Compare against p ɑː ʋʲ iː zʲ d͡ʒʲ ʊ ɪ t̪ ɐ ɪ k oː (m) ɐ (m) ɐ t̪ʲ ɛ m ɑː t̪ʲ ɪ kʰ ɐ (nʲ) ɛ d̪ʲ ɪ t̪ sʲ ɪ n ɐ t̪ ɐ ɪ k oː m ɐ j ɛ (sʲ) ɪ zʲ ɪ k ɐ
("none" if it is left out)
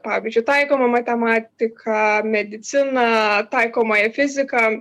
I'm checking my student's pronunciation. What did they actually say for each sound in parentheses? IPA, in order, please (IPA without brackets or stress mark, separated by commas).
m, m, mʲ, fʲ